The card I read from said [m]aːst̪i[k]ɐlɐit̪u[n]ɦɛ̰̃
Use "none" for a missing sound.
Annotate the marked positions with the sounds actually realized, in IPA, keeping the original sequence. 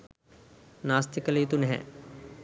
n, k, n

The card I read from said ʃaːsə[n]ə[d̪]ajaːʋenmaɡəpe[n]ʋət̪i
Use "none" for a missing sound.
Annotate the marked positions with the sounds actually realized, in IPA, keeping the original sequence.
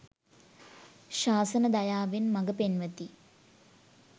n, d̪, n

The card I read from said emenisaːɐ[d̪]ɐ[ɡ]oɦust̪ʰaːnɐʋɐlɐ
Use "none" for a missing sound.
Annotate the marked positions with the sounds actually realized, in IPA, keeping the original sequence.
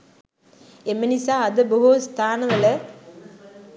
d̪, b

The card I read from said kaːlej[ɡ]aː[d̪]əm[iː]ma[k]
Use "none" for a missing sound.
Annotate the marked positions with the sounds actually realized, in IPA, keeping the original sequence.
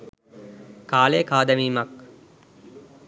k, d̪, iː, k

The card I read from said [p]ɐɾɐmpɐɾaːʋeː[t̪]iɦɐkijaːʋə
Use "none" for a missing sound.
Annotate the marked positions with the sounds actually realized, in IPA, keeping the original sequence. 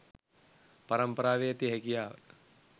p, t̪

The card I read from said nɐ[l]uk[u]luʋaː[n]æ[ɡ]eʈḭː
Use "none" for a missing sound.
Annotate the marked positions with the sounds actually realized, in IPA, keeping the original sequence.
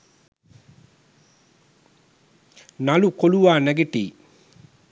l, o, n, ɡ

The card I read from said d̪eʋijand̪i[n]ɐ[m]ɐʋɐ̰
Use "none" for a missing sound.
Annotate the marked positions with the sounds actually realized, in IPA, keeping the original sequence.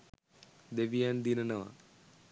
n, n

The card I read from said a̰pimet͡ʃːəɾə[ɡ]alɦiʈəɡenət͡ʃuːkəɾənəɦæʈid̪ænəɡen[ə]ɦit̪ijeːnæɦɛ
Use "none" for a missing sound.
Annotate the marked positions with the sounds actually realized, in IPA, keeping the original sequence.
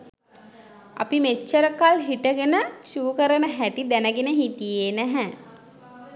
k, ə

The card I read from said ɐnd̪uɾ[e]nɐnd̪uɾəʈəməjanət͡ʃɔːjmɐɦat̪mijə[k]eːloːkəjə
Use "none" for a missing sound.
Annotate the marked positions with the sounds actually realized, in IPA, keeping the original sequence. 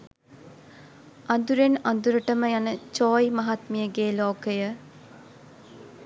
e, ɡ

